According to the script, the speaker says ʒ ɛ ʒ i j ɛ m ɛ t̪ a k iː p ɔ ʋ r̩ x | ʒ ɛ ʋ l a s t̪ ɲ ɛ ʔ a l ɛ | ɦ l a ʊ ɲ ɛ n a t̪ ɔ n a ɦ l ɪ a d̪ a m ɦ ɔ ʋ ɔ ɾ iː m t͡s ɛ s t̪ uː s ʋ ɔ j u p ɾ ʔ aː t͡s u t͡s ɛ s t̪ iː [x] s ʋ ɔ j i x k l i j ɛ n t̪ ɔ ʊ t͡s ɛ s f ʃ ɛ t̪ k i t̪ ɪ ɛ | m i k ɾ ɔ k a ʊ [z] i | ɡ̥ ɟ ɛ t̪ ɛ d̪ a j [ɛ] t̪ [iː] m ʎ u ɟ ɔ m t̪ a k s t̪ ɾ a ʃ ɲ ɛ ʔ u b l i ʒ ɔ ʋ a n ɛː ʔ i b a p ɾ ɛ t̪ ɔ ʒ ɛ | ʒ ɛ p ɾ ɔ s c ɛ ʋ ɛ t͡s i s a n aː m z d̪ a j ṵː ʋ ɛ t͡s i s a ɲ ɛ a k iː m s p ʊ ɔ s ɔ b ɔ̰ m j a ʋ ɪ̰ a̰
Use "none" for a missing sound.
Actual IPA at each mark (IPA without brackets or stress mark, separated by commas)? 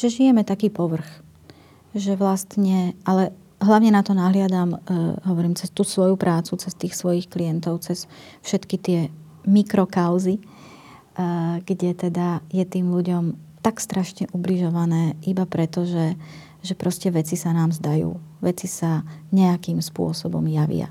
x, z, ɛ, iː